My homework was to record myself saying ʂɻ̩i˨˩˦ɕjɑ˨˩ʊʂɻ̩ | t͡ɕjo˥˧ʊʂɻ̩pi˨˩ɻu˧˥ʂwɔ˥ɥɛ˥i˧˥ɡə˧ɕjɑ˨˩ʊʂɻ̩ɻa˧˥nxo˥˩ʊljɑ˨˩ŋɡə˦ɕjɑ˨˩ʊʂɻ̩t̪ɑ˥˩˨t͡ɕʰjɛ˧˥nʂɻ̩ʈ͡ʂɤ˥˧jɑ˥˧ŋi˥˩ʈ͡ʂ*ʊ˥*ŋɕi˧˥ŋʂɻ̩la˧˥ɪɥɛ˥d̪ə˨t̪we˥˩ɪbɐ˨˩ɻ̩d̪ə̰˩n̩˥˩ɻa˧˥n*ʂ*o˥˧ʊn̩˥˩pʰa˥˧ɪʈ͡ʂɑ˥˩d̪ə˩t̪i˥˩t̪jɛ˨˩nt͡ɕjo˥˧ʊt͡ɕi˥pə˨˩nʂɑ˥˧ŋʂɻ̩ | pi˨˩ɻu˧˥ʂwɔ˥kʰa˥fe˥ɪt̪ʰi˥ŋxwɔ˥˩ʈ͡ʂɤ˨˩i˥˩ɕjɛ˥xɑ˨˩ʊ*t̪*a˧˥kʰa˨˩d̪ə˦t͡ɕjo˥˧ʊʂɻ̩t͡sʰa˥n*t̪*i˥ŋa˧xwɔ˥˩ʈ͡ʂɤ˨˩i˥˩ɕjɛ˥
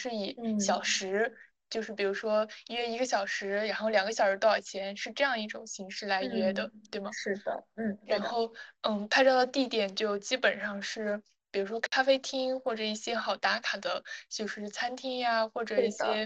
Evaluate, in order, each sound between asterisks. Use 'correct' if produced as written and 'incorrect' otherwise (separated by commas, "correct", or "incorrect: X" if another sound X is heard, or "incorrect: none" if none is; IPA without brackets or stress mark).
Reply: incorrect: ʊ˨˩, incorrect: x, correct, incorrect: t̪ʰ